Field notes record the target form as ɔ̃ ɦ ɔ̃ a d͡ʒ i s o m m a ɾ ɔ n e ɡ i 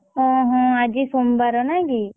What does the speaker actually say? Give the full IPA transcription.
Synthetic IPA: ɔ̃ ɦ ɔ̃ a d͡ʒ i s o m b a ɾ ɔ n a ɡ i